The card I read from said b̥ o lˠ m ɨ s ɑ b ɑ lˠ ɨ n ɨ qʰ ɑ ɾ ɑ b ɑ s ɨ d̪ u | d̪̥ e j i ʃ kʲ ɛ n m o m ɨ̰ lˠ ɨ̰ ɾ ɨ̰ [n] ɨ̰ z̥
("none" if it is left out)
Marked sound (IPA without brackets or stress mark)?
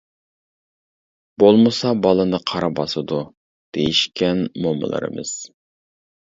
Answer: m